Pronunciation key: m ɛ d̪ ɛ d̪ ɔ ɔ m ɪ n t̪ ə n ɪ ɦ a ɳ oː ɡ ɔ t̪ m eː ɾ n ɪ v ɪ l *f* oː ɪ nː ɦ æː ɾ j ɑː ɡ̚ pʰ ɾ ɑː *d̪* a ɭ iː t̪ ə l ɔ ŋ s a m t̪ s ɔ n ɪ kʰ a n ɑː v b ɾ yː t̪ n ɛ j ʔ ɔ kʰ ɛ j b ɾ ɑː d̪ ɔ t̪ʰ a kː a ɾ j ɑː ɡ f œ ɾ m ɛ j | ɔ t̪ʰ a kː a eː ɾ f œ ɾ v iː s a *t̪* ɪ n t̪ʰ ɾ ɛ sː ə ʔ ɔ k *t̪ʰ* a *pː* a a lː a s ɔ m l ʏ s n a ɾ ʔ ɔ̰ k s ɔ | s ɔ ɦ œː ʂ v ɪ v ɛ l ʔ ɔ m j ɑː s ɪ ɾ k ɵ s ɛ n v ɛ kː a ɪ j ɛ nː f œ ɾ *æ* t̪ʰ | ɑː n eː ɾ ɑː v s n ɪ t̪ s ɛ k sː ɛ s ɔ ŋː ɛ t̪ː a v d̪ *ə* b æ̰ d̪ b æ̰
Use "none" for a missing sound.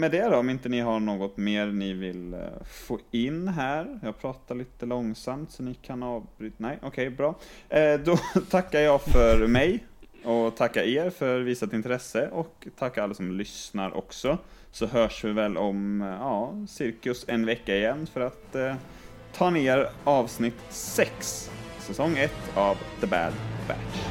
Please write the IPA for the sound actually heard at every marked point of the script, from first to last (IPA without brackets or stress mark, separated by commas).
f, t̪, t̪, t̪ʰ, kː, a, ə